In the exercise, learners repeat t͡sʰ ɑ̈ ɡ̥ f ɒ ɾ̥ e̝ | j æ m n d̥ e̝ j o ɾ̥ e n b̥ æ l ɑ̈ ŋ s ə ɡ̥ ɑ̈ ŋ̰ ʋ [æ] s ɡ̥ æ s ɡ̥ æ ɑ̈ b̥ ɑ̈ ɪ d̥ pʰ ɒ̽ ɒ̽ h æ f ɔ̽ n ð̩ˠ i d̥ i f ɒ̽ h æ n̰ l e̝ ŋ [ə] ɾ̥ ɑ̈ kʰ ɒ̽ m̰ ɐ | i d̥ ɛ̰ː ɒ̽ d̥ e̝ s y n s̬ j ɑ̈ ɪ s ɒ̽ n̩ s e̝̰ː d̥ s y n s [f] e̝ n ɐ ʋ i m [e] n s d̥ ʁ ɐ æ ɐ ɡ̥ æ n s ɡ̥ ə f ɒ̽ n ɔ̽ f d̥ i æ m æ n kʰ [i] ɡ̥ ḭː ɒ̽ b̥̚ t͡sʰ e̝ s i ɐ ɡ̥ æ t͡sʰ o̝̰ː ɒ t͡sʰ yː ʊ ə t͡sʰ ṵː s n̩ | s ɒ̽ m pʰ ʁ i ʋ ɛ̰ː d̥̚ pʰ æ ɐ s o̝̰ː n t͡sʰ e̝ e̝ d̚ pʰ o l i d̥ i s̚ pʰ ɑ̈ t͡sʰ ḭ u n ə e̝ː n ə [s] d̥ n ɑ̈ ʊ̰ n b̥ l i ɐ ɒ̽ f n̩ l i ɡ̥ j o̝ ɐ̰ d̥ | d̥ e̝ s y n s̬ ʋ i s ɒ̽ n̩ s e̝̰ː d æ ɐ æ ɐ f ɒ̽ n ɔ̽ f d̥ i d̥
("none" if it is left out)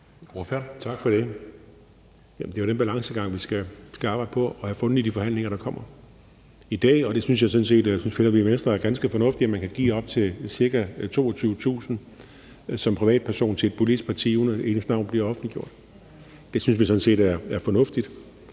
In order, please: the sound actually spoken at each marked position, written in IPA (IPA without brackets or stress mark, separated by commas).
i, ɐ, f, e, æ, s